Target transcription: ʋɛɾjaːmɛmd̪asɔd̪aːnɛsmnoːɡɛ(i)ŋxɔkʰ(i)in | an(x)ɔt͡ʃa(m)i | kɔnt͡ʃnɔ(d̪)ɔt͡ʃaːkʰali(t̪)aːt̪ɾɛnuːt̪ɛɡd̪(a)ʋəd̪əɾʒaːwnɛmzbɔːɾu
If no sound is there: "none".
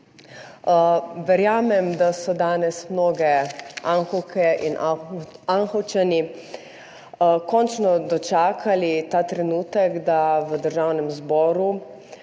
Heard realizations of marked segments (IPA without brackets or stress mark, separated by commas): a, ɛ, x, n, d̪, t̪, a